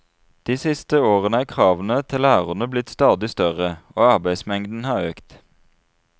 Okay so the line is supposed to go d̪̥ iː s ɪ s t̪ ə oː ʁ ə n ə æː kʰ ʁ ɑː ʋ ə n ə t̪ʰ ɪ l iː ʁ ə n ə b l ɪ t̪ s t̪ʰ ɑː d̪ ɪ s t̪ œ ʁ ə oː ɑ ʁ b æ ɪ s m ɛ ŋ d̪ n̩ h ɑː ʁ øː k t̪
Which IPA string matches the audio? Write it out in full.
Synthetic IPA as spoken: d̪̥ iː s ɪ s t̪ ə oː ʁ ə n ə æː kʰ ʁ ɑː ʋ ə n ə t̪ʰ ɪ l æː ʁ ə n ə b l ɪ t̪ s t̪ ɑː d̪ ɪ s t̪ œ ʁ ə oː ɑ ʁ b æ ɪ s m ɛ ŋ d̪ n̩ h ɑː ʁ øː k t̪